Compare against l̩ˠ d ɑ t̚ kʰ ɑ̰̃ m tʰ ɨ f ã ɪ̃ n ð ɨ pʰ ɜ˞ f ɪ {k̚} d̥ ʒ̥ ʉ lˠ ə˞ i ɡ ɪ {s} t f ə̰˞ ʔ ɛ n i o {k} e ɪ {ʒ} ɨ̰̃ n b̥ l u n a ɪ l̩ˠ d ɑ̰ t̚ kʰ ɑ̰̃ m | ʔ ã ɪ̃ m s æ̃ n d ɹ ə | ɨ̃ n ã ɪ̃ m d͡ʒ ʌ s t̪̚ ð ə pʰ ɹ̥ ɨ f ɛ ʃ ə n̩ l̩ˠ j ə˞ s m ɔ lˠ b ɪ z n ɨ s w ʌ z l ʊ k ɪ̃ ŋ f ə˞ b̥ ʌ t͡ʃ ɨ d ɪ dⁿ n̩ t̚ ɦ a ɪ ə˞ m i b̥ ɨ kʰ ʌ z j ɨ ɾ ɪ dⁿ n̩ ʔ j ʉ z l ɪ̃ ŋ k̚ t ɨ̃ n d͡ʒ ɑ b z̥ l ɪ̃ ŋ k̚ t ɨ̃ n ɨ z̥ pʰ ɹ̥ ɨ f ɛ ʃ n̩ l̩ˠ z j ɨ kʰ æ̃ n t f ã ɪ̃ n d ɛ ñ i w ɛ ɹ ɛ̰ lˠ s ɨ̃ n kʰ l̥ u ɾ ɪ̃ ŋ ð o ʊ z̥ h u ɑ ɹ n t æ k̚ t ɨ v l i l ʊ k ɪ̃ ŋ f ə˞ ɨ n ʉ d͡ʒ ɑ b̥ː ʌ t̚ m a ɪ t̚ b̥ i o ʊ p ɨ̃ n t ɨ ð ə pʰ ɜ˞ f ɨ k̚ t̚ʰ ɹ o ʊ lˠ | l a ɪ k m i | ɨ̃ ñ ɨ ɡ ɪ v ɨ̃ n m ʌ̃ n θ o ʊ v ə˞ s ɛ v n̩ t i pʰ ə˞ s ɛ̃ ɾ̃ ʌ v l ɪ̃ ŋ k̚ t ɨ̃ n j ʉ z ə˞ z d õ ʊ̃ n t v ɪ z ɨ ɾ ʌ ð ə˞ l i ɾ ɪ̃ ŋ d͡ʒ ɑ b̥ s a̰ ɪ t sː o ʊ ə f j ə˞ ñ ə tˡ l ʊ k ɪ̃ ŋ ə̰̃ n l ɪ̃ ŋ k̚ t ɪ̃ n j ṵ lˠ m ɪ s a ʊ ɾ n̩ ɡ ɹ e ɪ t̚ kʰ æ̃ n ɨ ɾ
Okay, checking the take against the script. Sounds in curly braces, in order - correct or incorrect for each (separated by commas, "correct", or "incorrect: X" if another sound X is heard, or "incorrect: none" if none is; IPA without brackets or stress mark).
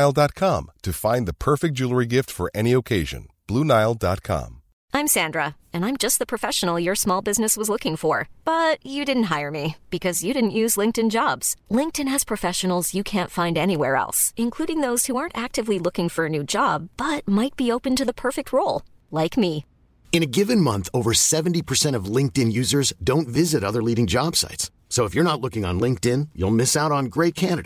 correct, incorrect: f, incorrect: kʰ, correct